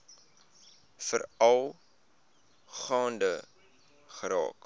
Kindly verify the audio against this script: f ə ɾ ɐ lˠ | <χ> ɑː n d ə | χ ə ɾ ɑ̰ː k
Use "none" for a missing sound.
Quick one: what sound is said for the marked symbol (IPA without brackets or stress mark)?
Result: χ